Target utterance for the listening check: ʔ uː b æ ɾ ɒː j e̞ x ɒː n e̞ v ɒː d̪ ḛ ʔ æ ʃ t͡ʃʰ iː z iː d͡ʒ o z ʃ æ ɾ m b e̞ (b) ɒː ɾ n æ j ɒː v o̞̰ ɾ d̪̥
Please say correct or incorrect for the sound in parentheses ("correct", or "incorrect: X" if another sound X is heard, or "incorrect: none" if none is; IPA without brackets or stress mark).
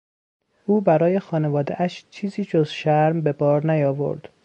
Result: correct